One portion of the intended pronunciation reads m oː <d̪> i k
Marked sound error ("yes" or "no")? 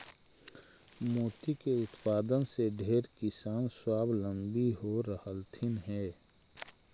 yes